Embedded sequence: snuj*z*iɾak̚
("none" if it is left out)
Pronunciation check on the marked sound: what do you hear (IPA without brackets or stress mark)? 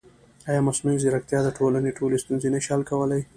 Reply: z